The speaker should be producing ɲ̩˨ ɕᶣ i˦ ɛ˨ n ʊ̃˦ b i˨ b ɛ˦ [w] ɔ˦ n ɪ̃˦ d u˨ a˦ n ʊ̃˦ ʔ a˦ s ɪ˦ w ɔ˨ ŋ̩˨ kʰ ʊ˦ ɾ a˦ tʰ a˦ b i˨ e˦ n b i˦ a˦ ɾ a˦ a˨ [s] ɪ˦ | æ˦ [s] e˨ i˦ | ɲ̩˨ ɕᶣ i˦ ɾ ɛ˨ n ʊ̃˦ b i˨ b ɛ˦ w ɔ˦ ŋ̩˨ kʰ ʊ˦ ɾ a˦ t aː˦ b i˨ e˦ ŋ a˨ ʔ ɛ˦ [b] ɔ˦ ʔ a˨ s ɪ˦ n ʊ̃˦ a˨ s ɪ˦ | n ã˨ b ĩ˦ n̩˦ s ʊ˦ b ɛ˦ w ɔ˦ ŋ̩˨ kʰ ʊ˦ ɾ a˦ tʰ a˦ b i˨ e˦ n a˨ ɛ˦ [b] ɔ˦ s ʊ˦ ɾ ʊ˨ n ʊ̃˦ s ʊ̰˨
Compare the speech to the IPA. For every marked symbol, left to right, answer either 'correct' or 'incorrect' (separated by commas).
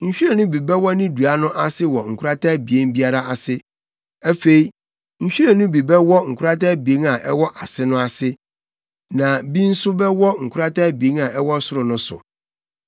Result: correct, correct, incorrect, incorrect, incorrect